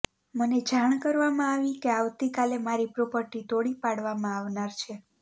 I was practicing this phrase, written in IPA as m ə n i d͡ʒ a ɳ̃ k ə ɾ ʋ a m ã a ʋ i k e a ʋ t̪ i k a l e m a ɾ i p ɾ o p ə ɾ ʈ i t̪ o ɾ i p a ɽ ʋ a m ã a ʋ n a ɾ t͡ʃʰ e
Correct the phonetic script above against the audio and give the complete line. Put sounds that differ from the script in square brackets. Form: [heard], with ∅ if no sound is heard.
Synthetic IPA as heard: m ə n [e] d͡ʒ a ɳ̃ k ə ɾ ʋ a m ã a ʋ i k e a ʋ t̪ i k a l e m a ɾ i p ɾ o p ə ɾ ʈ i t̪ o [ɽ] i p a ɽ ʋ a m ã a ʋ n a ɾ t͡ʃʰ e